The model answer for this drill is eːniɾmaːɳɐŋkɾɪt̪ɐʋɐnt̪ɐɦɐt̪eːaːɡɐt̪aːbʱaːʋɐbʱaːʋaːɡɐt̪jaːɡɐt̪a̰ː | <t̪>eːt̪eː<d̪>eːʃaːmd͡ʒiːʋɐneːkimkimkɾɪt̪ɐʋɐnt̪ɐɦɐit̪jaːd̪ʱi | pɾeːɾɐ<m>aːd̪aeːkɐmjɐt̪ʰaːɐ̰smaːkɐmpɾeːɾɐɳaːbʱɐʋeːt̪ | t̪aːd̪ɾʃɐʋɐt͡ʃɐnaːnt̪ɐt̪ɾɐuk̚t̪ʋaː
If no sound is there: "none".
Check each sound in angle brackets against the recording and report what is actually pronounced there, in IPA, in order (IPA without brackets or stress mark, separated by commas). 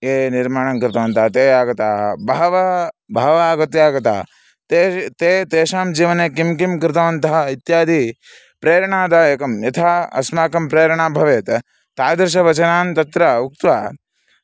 t̪, t̪, ɳ